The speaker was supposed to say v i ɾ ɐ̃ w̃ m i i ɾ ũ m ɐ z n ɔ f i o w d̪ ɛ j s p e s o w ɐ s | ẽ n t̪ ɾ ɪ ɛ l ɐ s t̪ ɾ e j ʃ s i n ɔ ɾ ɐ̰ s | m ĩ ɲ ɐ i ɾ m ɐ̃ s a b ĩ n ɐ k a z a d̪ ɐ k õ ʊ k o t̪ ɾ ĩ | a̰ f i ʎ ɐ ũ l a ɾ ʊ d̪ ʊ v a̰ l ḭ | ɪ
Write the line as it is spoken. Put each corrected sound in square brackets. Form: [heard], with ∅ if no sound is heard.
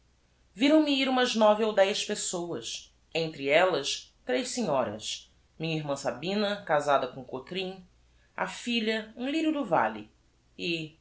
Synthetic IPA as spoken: v i ɾ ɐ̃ w̃ m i i ɾ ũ m ɐ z n ɔ [v] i o w d̪ ɛ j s p e s o w ɐ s | ẽ n t̪ ɾ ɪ ɛ l ɐ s t̪ ɾ e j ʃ s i [ɲ] ɔ ɾ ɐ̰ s | m ĩ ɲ ɐ i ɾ m ɐ̃ s a b ĩ n ɐ k a z a d̪ ɐ k õ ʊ k o t̪ ɾ ĩ | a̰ f i ʎ ɐ ũ l [i] ɾ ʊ d̪ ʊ v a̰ l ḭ | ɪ